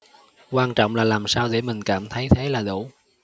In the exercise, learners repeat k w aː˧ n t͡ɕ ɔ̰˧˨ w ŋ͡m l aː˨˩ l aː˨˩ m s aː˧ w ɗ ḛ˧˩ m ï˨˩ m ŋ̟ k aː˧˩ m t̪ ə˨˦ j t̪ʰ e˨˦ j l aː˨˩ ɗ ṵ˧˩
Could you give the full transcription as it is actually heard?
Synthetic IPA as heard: k w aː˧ n t͡ɕ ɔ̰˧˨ w ŋ͡m l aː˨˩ l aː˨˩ m s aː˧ w ɗ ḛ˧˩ m ï˨˩ ŋ̟ k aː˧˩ m t̪ʰ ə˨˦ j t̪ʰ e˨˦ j l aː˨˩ ɗ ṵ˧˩